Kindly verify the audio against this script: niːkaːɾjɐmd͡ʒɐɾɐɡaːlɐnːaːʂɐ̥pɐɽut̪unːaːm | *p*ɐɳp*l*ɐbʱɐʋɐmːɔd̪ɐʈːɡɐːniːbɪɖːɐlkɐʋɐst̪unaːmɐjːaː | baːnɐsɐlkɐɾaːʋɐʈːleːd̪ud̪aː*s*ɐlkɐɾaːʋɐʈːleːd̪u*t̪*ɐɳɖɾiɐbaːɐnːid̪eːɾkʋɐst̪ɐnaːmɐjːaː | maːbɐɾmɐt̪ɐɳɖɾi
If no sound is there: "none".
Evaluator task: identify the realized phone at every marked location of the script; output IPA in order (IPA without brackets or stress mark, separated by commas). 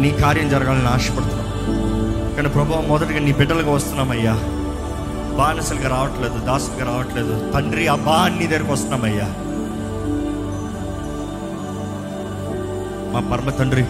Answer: k, ɾ, s, t̪